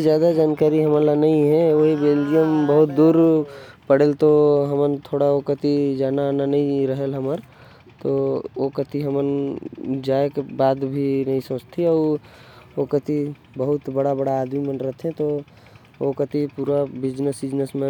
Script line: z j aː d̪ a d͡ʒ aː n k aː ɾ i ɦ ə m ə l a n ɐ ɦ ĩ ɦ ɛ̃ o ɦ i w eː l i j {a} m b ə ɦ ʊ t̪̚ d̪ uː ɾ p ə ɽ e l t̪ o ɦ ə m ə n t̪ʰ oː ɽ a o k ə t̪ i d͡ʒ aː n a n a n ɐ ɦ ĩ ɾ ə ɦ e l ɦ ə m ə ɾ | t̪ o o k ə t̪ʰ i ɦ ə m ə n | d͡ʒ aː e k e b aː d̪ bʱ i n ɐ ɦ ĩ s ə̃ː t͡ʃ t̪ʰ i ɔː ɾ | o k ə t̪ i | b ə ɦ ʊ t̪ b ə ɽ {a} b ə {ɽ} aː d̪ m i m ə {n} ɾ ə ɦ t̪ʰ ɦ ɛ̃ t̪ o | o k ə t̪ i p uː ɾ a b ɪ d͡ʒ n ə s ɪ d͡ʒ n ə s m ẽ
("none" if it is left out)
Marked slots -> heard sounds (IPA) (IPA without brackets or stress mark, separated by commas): ə, a, ɽ, n